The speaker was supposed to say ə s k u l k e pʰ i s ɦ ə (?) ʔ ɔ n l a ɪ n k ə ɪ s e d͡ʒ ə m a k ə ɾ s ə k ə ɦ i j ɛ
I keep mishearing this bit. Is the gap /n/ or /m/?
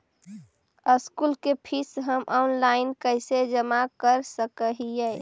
m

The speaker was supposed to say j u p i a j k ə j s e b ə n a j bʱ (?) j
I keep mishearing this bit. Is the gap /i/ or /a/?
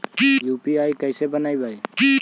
a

